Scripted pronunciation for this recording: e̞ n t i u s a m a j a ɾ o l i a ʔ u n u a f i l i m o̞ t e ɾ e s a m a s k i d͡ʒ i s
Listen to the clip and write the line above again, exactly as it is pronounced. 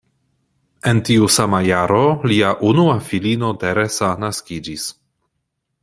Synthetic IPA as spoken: e̞ n t i u s a m a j a ɾ o l i a ʔ u n u a f i l i n o̞ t e ɾ e s a n a s k i d͡ʒ i s